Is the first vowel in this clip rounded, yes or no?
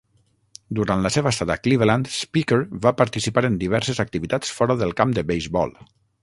yes